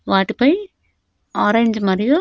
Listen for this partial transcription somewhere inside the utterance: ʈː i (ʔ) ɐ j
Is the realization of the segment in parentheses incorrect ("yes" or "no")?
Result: yes